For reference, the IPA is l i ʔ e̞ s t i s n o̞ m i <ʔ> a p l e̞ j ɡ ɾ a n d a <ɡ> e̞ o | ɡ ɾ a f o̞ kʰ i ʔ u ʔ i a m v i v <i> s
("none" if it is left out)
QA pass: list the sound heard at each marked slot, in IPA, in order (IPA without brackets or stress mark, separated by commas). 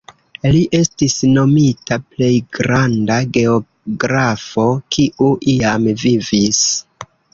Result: t, ɡ, i